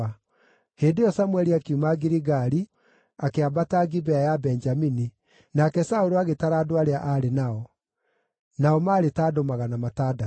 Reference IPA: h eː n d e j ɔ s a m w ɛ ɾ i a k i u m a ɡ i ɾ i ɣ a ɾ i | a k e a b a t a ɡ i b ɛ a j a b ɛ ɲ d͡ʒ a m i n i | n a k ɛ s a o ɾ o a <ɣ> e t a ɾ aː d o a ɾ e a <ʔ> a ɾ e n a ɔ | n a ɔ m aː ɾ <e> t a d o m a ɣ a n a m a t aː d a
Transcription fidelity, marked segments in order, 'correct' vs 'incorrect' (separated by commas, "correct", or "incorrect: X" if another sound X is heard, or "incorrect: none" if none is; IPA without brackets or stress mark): correct, correct, correct